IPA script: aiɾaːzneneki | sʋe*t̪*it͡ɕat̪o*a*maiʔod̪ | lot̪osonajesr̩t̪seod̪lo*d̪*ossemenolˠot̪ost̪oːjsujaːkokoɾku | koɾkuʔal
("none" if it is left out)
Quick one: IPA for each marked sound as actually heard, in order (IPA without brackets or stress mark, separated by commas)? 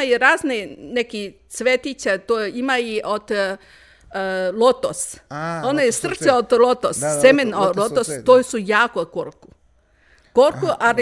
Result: t̪, i, t̪